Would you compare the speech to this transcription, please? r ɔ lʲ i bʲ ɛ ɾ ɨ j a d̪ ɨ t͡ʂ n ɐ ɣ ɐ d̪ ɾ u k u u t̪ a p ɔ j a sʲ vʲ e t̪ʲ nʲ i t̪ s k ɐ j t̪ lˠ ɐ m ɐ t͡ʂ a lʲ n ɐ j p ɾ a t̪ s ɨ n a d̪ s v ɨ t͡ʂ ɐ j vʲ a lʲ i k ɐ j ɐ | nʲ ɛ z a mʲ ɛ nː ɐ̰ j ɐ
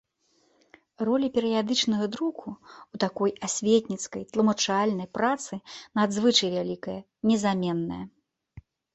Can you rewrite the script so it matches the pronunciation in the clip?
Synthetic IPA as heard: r ɔ lʲ i pʲ ɛ ɾ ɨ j a d̪ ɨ t͡ʂ n ɐ ɣ ɐ d̪ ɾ u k u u t̪ a k ɔ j a sʲ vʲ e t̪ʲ nʲ i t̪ s k ɐ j t̪ lˠ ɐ m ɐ t͡ʂ a lʲ n ɐ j p ɾ a t̪ s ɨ n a d̪ z v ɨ t͡ʂ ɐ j vʲ a lʲ i k ɐ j ɐ | nʲ ɛ z a mʲ ɛ nː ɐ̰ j ɐ